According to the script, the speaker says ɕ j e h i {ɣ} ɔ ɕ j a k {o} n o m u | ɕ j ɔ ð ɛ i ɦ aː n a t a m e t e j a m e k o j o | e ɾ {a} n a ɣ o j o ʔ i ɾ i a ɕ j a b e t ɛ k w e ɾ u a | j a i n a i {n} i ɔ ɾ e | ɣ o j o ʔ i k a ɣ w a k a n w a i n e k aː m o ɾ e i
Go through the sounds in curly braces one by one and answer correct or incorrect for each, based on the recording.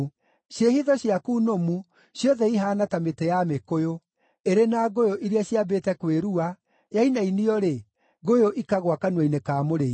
incorrect: ð, incorrect: u, incorrect: e, correct

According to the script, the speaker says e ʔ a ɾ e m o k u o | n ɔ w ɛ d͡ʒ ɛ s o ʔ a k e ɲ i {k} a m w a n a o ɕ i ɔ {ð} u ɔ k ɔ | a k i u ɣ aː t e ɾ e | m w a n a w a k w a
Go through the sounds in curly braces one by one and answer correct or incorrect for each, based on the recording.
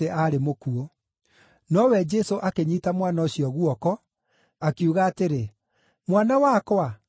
incorrect: t, incorrect: ɣ

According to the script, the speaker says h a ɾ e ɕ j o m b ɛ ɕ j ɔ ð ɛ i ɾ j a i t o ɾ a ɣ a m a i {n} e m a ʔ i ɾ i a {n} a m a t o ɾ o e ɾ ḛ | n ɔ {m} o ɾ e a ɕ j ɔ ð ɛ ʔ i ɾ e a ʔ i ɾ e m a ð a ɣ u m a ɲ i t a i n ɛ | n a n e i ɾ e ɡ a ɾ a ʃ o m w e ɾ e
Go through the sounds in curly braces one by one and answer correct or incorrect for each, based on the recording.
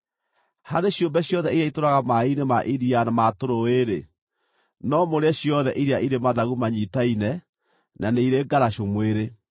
correct, correct, correct

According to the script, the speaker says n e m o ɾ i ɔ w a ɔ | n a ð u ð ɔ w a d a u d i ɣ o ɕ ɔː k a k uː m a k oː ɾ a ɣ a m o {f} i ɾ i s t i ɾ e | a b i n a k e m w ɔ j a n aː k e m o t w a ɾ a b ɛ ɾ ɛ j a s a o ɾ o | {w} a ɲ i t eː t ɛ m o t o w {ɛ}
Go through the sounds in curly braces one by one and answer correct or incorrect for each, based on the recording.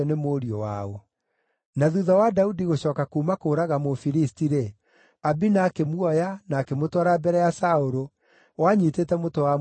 correct, correct, incorrect: a

